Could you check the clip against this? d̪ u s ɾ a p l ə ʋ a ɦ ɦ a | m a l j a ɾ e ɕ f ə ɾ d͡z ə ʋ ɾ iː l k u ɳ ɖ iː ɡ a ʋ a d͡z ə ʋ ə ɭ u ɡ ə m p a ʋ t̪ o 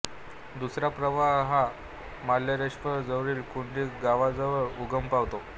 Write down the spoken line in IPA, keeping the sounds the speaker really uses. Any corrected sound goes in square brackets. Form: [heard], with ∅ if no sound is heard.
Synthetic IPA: d̪ u s ɾ a p [ɾ] ə ʋ a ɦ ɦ a | m a l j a ɾ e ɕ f ə ɾ d͡z ə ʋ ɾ iː l k u ɳ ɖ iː ɡ a ʋ a d͡z ə ʋ ə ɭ u ɡ ə m p a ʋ t̪ o